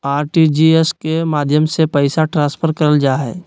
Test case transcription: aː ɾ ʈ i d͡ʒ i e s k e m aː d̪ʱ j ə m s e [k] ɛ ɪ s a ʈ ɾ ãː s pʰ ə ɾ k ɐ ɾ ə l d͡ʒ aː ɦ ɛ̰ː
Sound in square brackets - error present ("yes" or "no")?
yes